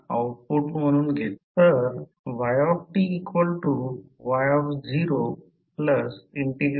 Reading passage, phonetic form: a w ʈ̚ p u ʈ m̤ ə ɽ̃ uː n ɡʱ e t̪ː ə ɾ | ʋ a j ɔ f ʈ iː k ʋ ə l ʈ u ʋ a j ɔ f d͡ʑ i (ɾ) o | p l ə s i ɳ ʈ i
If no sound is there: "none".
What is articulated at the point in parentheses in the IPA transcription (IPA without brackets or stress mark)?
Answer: ɾ